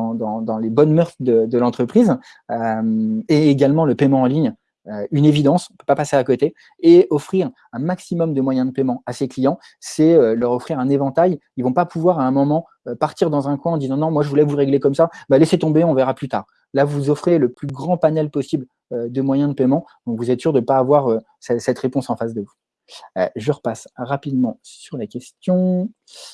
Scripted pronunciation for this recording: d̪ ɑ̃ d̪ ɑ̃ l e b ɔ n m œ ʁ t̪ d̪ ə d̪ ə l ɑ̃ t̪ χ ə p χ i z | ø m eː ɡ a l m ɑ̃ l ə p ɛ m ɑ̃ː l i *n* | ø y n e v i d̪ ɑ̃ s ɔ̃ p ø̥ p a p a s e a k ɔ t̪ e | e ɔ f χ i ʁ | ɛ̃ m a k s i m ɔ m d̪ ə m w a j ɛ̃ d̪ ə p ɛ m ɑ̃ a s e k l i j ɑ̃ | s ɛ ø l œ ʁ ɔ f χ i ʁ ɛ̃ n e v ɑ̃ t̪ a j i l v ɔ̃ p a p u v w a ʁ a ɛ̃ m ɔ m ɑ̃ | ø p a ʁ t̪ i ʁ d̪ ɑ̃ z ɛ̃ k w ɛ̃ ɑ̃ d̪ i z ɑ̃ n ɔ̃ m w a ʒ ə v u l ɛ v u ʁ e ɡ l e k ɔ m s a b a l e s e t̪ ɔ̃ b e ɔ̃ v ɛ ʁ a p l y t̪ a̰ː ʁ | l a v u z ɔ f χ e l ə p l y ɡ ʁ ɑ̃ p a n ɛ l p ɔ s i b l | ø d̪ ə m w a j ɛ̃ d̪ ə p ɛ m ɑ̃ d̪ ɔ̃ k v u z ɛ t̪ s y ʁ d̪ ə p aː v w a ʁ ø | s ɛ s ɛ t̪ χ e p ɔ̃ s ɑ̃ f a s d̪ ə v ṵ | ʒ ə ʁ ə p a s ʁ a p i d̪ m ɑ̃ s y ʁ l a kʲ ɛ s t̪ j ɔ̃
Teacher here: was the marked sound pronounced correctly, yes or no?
no